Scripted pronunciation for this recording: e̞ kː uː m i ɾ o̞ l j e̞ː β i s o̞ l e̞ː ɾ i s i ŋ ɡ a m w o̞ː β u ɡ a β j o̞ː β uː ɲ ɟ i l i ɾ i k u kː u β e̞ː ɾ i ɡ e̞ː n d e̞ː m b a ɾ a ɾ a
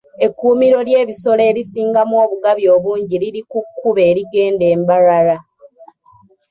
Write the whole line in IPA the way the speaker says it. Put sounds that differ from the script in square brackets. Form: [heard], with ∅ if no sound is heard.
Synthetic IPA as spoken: e̞ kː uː m i ɾ o̞ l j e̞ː β i s o̞ l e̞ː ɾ i s [iː] ŋ ɡ a m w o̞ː β u ɡ a β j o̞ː β uː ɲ ɟ i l i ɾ i k u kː u β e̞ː ɾ i ɡ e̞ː n d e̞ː m b a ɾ a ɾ a